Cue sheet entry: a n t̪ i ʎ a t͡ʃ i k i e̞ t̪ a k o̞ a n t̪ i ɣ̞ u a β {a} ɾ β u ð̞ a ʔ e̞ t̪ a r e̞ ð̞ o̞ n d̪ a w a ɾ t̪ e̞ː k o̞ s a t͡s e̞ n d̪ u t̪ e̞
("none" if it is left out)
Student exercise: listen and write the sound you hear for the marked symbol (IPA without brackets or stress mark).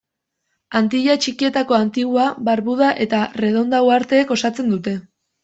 a